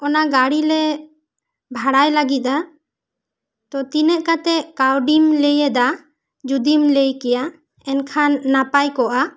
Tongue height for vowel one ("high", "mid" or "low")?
mid